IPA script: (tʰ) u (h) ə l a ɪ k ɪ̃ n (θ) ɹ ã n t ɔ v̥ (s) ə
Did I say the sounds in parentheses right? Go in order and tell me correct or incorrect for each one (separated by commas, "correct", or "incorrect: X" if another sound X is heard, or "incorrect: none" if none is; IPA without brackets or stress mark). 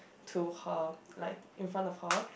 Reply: correct, correct, incorrect: f, incorrect: h